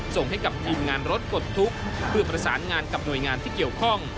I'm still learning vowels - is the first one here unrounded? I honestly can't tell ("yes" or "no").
no